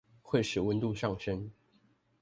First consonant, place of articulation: velar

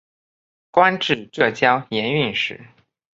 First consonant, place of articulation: velar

